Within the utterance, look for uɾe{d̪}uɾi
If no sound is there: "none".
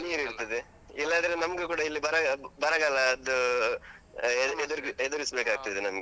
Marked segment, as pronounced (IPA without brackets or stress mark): d̪